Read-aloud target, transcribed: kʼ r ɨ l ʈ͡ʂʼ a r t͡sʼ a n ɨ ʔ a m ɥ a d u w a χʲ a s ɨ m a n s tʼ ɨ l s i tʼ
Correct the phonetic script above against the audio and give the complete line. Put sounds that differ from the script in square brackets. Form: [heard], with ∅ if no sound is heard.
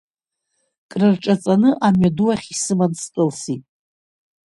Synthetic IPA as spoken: kʼ r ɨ [r] ʈ͡ʂʼ a [∅] t͡sʼ a n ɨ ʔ a m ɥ a d u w a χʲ [i] s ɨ m a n s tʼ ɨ l s i tʼ